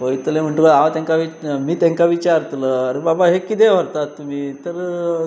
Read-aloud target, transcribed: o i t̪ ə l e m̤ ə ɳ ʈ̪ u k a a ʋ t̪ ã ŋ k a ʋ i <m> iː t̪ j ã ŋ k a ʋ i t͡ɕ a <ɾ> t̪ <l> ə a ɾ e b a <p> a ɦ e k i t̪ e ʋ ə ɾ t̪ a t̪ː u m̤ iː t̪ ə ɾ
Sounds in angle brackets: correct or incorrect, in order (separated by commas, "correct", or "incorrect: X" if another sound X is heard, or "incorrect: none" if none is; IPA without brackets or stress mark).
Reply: correct, correct, correct, incorrect: b